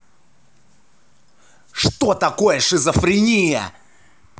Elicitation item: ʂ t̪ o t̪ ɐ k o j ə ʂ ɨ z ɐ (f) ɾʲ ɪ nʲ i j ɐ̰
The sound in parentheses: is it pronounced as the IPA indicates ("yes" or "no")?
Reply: yes